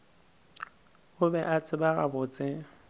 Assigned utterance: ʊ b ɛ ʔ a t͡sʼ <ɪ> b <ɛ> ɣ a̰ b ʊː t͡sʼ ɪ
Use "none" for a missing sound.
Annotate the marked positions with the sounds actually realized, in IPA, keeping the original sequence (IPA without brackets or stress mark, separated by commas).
ɪ, a